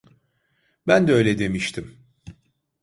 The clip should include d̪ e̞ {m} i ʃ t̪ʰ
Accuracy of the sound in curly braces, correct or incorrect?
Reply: correct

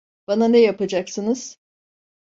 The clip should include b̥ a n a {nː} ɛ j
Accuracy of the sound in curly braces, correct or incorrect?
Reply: incorrect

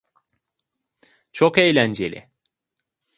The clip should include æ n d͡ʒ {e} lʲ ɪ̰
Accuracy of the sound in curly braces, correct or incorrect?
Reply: correct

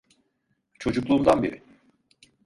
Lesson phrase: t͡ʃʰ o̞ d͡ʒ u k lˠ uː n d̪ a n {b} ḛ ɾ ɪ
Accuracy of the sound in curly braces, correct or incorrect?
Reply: correct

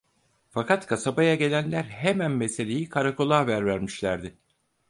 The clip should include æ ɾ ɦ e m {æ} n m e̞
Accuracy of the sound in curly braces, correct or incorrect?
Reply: correct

